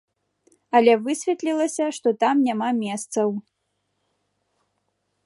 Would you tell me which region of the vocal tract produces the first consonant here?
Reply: tongue tip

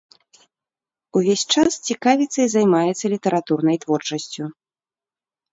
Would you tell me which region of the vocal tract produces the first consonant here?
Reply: lips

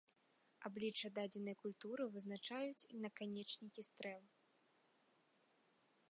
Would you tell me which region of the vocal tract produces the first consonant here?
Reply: lips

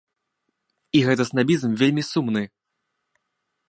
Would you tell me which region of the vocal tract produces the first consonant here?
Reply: velum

